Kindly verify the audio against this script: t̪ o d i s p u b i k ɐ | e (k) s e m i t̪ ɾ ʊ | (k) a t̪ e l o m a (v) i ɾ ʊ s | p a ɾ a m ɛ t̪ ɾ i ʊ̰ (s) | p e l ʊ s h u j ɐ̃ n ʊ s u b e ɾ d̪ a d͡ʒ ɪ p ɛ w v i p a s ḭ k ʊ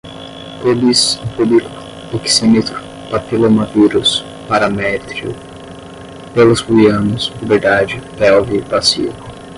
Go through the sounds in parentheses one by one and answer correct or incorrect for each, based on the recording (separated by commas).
correct, incorrect, correct, incorrect